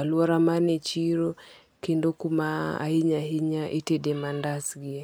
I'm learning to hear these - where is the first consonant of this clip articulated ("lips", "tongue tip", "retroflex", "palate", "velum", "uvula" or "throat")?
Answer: tongue tip